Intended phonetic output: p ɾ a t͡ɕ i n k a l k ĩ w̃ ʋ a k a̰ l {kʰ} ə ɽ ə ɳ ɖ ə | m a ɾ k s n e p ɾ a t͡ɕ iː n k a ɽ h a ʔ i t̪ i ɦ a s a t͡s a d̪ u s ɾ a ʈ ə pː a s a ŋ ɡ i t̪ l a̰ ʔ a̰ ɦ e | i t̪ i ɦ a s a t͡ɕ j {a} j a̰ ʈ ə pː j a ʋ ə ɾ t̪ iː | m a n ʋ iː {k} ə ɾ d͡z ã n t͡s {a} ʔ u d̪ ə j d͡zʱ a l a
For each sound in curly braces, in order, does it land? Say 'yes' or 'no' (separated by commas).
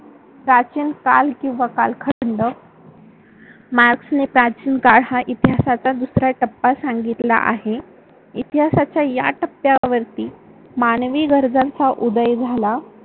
yes, yes, no, yes